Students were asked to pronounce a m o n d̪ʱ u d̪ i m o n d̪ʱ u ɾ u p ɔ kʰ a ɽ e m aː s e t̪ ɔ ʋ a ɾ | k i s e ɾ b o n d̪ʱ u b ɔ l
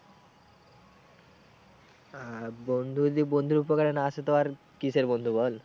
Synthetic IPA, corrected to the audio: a b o n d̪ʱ u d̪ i b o n d̪ʱ u ɾ u p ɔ k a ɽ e n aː s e t̪ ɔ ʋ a ɾ | k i s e ɾ b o n d̪ʱ u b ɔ l